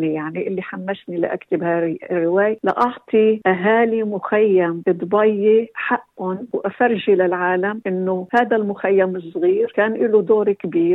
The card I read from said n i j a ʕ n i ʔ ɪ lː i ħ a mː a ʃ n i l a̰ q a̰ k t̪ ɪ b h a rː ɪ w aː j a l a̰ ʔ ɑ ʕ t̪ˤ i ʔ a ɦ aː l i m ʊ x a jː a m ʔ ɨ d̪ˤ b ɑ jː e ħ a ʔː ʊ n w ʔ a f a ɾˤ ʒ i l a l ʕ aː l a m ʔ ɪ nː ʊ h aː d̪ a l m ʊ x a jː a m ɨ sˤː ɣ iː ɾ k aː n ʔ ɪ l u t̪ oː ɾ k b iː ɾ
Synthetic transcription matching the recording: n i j a ʕ n i ʔ ɪ lː i ħ a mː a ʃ n i l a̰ ʔ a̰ k t̪ ɪ b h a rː ɪ w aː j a l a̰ ʔ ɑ ʕ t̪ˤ i ʔ a ɦ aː l i m ʊ x a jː a m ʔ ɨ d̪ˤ b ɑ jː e ħ a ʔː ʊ n w ʔ a f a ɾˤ ʒ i l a l ʕ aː l a m ʔ ɪ nː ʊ h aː d̪ a l m ʊ x a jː a m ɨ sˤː ɣ iː ɾ k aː n ʔ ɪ l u d̪ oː ɾ k b iː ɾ